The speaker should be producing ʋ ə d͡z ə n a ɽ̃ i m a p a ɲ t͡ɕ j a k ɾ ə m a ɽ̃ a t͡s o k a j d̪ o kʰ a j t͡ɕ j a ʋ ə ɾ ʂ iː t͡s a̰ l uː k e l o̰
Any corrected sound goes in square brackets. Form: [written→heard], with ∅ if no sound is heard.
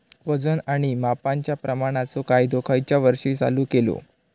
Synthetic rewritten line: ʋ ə d͡z ə n a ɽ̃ i m a p a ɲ t͡ɕ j a [k→p] ɾ ə m a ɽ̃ a t͡s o k a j d̪ o kʰ a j t͡ɕ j a ʋ ə ɾ ʂ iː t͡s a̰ l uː k e l o̰